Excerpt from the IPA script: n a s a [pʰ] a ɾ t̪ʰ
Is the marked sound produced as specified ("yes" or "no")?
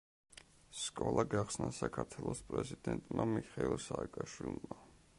no